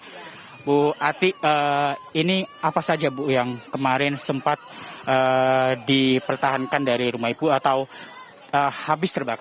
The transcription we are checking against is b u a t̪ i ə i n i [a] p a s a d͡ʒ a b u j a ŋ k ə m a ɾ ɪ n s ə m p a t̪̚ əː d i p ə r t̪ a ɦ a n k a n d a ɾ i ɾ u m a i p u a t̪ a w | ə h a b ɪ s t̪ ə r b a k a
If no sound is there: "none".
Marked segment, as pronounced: a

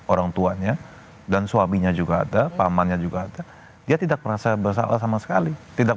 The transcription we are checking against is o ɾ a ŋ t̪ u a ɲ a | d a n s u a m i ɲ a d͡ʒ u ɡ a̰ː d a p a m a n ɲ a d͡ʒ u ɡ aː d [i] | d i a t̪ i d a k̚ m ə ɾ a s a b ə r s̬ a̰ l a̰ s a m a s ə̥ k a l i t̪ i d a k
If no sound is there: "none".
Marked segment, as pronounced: a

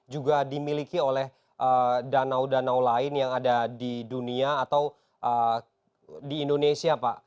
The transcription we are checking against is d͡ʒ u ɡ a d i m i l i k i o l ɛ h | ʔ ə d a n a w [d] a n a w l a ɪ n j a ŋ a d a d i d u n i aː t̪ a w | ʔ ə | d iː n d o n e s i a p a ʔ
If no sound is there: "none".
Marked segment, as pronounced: d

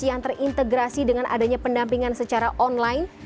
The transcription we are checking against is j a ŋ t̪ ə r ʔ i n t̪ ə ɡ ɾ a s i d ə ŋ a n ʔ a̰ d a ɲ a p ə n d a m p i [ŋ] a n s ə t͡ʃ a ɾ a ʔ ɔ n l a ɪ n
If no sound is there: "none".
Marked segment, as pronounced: ŋ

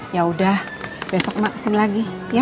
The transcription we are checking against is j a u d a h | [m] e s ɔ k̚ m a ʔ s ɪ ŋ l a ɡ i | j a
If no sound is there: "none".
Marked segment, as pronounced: b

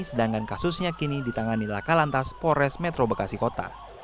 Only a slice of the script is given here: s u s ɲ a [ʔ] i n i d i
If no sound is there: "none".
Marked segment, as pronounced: k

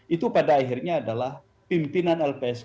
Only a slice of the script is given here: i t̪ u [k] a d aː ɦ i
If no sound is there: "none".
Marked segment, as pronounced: p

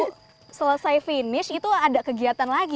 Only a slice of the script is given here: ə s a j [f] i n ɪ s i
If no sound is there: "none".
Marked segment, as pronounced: f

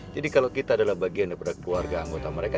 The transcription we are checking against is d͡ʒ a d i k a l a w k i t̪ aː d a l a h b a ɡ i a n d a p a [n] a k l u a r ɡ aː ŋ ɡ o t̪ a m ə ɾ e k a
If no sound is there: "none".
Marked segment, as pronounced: d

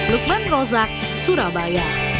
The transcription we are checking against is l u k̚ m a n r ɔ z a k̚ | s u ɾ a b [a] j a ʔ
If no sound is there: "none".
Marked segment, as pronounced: a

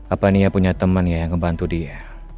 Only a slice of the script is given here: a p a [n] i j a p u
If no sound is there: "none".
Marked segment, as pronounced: n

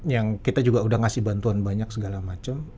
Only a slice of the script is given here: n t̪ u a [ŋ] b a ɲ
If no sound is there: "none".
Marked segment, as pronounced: n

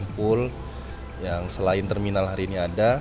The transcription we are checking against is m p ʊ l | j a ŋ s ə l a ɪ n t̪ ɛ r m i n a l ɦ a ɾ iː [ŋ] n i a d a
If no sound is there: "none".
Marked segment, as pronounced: none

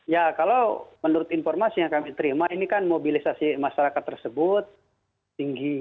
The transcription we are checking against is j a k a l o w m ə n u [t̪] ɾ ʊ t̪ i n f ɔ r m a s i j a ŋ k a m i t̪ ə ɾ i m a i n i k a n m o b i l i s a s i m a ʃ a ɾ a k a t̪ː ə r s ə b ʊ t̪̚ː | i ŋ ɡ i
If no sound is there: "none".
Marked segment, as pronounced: none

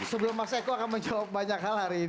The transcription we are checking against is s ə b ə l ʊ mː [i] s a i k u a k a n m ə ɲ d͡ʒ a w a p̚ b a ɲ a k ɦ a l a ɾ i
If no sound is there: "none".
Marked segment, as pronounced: a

